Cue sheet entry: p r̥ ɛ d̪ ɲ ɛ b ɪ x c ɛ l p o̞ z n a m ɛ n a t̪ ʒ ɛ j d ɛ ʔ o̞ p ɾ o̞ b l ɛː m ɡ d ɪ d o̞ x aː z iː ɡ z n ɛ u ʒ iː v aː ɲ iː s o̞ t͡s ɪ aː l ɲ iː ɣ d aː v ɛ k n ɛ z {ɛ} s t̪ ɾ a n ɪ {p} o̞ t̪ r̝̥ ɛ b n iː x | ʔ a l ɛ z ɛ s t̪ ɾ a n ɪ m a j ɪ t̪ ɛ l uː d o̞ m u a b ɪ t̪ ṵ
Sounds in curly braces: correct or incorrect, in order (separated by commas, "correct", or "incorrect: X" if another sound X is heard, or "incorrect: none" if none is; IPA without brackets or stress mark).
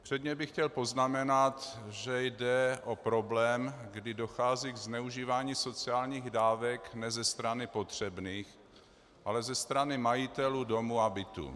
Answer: correct, correct